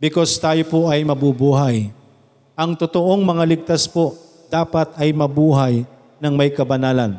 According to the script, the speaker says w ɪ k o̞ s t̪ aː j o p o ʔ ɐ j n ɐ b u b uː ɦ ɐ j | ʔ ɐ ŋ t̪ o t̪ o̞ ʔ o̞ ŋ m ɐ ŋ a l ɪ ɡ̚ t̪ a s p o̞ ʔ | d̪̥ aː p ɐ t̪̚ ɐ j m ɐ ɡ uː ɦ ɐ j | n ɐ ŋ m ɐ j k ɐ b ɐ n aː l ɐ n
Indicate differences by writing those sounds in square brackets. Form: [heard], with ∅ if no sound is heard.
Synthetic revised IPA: [b] ɪ k o̞ s t̪ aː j o p o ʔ ɐ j [m] ɐ b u b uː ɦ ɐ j | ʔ ɐ ŋ t̪ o t̪ o̞ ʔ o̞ ŋ m ɐ ŋ a l ɪ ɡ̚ t̪ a s p o̞ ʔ | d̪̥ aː p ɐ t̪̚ ɐ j m ɐ [b] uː ɦ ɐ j | n ɐ ŋ m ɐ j k ɐ b ɐ n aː l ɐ n